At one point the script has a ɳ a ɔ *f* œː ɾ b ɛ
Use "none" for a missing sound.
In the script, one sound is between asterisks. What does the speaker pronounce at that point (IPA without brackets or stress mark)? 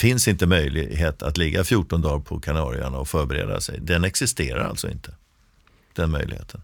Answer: f